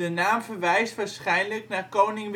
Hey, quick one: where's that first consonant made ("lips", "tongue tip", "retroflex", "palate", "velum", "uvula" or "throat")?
tongue tip